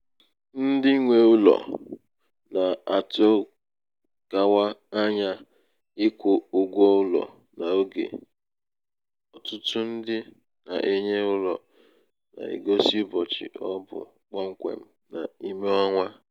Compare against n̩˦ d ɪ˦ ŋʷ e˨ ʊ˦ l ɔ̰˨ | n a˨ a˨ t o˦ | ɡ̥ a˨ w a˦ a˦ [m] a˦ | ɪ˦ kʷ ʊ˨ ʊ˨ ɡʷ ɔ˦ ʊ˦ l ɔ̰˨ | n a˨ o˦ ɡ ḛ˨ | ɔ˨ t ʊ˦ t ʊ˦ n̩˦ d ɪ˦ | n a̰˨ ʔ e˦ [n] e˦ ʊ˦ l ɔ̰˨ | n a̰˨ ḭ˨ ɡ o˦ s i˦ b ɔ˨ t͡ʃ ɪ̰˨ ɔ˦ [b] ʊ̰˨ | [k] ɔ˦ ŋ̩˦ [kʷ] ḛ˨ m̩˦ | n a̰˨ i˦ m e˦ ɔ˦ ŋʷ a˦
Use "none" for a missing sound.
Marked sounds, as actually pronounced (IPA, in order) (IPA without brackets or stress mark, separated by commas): ɲ, ɲ, b, k͡p, kʷ